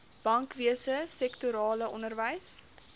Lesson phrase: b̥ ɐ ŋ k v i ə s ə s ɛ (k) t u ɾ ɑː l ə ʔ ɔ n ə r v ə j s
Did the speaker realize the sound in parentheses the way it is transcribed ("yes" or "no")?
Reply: yes